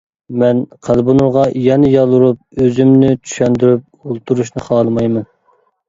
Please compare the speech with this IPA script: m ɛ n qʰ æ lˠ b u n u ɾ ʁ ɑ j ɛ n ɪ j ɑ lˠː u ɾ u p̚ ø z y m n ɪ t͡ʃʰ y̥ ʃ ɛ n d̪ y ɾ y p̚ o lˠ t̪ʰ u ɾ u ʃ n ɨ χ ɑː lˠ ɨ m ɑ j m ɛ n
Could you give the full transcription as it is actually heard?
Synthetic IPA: m ɛ n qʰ æ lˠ b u n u ɾ ʁ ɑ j ɛ n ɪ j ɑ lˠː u ɾ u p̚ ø z y m n ɪ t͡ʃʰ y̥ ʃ ɛ n d̪ y ɾ y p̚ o lˠ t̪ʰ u ɾ u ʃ n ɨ χ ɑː lˠ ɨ m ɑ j m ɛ n